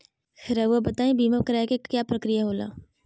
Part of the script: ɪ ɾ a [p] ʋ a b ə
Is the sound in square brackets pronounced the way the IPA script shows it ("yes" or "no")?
no